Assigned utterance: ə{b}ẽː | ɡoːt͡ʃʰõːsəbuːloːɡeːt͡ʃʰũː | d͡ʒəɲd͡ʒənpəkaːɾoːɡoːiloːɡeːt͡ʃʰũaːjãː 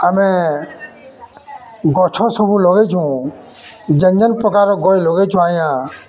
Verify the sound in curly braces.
incorrect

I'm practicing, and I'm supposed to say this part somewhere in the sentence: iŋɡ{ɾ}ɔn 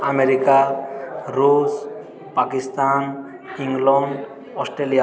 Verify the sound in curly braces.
incorrect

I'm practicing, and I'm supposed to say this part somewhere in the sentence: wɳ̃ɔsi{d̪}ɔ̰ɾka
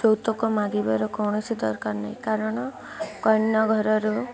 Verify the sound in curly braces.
correct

